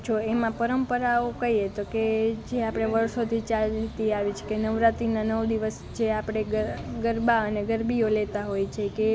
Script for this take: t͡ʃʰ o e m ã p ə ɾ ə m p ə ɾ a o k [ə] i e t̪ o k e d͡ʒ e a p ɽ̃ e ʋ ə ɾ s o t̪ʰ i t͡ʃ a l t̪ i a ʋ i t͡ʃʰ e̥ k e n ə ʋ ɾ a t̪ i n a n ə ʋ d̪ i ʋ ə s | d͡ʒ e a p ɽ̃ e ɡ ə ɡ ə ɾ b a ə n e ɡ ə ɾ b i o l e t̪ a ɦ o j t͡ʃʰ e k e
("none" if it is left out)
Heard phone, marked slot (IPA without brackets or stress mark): ə